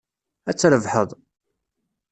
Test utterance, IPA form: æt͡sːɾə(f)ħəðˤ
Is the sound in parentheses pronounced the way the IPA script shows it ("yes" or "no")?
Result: no